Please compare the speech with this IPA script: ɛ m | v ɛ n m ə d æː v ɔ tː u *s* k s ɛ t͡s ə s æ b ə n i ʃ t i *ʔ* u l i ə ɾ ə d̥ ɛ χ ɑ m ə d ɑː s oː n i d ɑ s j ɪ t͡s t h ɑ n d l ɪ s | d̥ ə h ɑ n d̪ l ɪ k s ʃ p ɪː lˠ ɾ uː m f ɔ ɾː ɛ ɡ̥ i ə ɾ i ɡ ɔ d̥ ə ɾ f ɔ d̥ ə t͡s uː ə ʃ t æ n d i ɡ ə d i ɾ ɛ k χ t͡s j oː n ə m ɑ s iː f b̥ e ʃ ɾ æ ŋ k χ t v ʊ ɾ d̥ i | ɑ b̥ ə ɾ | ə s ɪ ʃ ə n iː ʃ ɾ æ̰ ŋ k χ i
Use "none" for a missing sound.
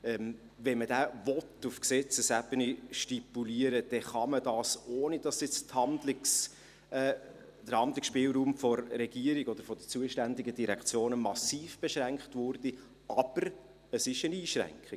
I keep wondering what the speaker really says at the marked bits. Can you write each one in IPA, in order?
f, p

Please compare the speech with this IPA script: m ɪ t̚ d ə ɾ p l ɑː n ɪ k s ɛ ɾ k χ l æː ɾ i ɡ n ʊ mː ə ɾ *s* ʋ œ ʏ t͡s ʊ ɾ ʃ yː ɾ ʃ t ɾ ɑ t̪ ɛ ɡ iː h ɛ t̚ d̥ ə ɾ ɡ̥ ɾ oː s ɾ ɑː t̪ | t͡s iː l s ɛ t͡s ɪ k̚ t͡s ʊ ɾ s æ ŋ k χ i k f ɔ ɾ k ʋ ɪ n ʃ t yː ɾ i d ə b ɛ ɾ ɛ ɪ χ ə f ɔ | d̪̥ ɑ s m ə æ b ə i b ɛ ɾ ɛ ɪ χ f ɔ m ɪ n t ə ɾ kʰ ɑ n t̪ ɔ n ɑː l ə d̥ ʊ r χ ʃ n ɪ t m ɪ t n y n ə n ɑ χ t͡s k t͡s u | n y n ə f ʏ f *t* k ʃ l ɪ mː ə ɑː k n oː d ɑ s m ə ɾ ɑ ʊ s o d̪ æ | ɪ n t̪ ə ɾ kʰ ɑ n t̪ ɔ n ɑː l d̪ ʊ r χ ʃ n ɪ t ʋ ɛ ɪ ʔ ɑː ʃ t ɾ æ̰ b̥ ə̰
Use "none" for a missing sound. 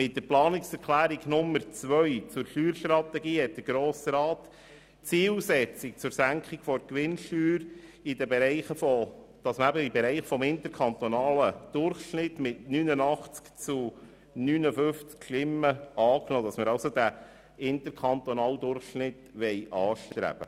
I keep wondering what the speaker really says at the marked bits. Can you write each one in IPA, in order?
t͡s, t͡s

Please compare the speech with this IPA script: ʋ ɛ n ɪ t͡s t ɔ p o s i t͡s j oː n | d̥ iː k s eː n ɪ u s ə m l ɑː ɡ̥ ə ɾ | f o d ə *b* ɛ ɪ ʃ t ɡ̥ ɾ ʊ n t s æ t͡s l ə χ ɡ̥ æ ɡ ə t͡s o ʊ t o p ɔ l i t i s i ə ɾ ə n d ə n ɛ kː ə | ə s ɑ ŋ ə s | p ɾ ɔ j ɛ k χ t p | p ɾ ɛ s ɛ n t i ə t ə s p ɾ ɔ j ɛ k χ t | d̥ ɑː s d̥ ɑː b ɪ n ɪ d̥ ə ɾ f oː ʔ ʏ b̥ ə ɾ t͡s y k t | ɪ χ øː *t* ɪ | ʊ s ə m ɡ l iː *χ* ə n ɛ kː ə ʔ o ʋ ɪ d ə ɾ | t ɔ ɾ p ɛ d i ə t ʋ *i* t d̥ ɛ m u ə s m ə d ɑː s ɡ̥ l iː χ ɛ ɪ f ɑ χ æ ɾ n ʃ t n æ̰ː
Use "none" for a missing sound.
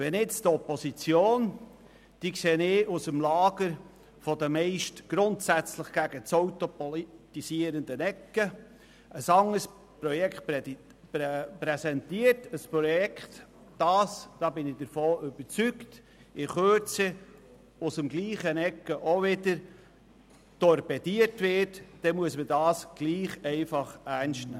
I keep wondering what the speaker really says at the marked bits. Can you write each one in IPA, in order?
m, t͡s, χ, ɪ

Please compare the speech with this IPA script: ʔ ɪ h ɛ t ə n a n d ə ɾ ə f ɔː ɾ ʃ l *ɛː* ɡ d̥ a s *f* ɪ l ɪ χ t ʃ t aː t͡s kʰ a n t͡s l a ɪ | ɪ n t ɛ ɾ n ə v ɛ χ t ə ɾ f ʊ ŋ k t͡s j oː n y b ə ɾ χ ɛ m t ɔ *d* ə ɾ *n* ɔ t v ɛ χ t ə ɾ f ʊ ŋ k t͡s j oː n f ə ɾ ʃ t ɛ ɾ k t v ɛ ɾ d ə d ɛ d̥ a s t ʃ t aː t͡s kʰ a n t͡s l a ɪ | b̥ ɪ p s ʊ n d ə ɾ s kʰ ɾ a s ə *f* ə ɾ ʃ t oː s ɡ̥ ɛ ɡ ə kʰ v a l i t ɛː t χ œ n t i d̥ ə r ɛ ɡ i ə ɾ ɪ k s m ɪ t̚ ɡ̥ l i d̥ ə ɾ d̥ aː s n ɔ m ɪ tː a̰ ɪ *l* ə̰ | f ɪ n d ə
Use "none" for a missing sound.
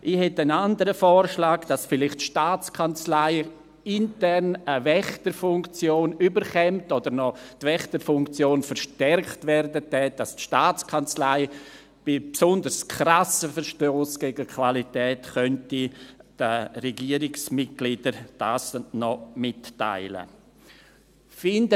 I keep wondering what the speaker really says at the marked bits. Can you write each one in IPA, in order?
aː, f, d, n, f, l

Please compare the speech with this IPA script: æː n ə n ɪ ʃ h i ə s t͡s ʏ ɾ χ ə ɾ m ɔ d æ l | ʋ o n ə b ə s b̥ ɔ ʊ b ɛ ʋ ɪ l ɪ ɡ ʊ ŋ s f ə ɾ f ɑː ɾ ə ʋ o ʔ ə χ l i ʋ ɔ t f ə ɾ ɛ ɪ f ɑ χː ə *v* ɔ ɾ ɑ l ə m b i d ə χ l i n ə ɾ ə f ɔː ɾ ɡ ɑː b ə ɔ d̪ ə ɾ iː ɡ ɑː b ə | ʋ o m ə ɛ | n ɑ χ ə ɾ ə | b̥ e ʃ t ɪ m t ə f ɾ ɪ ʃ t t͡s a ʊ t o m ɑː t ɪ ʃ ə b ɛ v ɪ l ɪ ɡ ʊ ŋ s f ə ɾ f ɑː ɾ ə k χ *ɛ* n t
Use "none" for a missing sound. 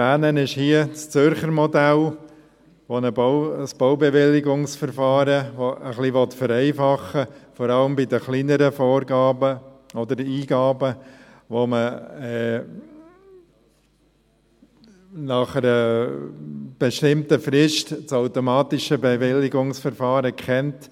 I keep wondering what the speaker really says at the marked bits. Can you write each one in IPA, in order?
f, ɛ

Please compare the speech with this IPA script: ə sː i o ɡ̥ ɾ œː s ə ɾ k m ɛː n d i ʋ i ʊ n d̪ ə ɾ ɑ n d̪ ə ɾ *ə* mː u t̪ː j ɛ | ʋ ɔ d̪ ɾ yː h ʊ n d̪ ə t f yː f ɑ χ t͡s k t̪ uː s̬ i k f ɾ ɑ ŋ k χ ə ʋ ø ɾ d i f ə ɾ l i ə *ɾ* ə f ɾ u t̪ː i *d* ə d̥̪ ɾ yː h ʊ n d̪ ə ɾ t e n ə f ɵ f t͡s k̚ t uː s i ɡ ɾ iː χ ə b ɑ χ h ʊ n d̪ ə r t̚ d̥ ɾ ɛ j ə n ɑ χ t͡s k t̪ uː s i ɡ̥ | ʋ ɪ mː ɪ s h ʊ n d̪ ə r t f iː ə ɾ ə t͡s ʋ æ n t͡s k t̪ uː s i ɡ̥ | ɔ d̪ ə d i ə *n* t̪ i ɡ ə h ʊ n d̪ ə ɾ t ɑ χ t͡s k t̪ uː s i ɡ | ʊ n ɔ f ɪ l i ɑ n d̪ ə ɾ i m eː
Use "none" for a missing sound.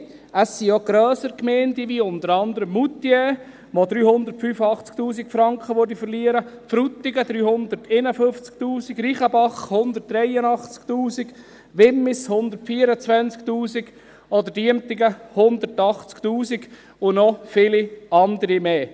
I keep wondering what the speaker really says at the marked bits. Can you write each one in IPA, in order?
ə, ɾ, ɡ, m

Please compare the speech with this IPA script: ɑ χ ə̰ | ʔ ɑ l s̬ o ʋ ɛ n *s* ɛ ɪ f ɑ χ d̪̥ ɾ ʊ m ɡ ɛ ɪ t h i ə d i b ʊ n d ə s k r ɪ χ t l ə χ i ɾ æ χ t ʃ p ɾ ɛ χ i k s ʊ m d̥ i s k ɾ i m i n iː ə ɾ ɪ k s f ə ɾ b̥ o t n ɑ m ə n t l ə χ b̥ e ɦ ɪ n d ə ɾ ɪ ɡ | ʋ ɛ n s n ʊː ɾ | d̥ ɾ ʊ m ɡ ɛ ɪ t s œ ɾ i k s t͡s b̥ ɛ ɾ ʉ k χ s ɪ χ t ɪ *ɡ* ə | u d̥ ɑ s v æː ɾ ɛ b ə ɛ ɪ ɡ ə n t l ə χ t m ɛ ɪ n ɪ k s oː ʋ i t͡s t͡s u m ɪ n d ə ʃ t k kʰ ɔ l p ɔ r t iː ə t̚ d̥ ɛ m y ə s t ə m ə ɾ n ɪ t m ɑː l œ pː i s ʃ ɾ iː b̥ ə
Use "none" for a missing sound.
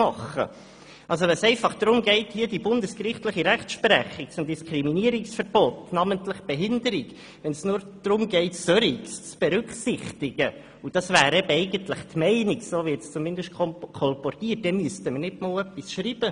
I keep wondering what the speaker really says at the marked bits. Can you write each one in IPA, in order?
s, ɡ

